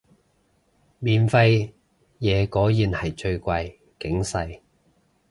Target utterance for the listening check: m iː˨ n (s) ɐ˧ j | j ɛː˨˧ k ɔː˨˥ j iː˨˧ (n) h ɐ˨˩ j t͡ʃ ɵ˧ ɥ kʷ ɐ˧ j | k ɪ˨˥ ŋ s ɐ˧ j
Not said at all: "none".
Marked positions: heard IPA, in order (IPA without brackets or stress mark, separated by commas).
f, n